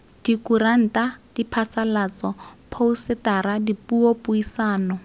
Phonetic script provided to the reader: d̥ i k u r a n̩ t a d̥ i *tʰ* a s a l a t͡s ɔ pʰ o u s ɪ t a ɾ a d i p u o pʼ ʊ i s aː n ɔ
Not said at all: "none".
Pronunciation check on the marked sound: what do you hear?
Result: pʰ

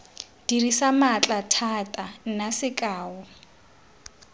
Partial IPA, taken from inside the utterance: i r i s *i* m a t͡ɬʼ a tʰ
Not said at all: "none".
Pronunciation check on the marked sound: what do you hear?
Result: a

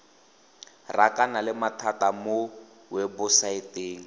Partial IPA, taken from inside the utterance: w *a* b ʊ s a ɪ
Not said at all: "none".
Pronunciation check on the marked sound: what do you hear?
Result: ɛ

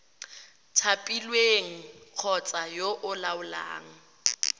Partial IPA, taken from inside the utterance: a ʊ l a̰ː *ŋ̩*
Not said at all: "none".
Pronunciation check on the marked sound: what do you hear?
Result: ŋ̩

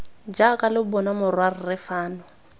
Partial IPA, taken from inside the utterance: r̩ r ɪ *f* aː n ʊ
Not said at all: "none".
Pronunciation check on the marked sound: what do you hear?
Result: f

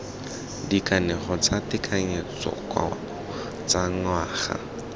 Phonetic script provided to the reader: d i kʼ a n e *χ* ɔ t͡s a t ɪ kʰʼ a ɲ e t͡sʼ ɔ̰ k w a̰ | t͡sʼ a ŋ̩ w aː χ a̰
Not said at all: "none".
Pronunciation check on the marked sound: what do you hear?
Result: χ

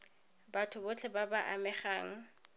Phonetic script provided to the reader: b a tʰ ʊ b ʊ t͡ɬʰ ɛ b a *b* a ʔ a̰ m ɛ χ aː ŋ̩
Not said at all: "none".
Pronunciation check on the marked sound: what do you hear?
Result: b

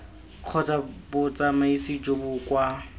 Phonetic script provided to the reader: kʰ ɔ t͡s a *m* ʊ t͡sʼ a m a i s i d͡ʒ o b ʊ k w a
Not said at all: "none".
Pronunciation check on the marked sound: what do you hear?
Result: b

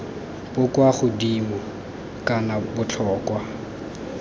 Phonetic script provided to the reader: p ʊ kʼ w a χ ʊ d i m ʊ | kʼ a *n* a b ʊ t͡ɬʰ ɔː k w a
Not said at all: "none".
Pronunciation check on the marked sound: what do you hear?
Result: n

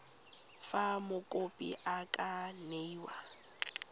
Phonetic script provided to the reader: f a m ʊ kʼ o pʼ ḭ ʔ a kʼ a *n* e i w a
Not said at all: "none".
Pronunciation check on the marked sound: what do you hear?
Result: n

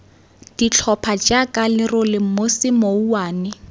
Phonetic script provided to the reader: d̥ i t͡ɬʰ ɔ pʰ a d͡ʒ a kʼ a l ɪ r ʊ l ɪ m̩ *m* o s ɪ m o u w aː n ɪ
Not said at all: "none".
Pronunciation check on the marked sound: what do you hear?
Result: m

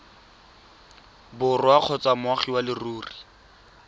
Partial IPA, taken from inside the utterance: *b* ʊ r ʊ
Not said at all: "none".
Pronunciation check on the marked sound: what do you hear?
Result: b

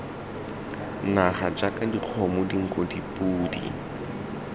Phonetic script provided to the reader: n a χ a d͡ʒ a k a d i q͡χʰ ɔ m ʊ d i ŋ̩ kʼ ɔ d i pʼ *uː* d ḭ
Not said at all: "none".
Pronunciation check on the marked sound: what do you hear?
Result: uː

